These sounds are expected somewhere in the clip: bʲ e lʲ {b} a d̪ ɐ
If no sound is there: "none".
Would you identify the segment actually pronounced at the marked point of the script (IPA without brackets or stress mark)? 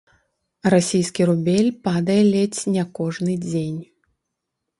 p